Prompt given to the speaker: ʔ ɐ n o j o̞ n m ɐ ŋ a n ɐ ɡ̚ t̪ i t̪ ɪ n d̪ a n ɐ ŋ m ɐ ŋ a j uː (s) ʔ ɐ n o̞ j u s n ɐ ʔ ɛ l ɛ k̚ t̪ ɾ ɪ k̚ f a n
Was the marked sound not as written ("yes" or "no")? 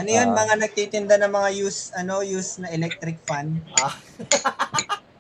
no